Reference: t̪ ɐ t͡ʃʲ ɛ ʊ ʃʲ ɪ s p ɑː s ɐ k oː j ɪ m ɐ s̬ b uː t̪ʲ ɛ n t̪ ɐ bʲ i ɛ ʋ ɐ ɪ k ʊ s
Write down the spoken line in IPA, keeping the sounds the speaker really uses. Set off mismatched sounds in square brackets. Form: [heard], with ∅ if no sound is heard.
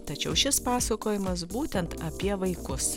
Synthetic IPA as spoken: t̪ ɐ t͡ʃʲ ɛ ʊ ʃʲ ɪ s p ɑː s ɐ k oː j ɪ m ɐ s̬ b uː t̪ʲ ɛ n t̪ ɐ [pʲ] i ɛ ʋ ɐ ɪ k ʊ s